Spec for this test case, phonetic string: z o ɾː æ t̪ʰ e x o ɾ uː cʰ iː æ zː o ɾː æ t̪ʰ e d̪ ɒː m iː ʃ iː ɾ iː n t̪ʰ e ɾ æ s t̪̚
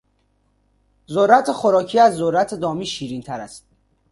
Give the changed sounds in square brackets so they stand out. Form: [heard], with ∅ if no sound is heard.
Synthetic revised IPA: z o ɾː æ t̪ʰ e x o ɾ [ɒː] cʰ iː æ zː o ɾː æ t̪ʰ e d̪ ɒː m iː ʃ iː ɾ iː n t̪ʰ [æ] ɾ æ s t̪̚